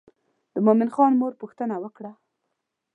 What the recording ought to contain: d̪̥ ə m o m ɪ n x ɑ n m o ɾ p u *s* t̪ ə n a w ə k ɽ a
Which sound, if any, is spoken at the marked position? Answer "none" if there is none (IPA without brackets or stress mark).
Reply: x